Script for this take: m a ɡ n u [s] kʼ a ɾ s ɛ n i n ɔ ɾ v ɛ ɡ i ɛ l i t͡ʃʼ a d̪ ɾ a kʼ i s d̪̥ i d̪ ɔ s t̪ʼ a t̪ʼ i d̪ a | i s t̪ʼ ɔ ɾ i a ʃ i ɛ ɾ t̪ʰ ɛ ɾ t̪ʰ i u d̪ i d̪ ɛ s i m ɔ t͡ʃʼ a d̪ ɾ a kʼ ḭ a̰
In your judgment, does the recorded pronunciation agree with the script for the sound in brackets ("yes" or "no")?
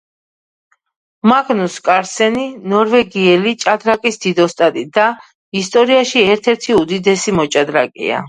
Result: yes